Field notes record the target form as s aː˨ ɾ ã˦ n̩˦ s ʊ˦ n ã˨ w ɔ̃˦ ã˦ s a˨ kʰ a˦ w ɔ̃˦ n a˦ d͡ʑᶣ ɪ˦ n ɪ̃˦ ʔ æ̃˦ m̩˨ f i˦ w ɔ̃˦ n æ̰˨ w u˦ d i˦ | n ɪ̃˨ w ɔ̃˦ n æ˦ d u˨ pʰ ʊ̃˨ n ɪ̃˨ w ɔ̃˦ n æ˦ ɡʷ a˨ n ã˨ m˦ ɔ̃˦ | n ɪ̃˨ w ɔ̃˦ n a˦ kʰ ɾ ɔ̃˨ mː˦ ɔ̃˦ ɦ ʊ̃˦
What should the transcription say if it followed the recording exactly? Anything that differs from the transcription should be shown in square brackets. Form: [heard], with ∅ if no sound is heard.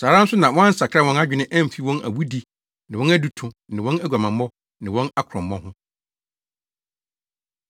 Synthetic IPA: s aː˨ ɾ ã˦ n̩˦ s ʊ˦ n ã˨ w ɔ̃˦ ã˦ s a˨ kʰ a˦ w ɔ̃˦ n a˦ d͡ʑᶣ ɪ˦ n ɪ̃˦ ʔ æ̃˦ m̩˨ f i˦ w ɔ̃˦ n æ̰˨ w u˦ d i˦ | n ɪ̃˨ w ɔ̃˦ n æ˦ d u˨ [tʰ] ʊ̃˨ n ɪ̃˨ w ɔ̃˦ n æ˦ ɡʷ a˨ [m] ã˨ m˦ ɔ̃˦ | n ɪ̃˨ w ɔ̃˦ n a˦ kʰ ɾ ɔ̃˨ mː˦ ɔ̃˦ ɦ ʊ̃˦